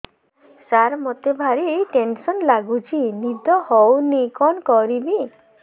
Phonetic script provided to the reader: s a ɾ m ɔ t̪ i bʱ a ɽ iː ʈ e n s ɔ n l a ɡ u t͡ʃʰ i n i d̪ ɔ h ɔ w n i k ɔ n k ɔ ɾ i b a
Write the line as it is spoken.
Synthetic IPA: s a ɾ m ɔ t̪ e bʱ a ɾ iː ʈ e n s ɔ n l a ɡ u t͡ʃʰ i n i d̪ ɔ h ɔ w n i k ɔ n k ɔ ɾ i b i